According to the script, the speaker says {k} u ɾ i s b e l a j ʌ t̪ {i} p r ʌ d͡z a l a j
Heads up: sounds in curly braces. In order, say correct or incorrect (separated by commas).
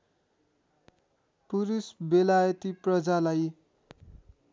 incorrect, correct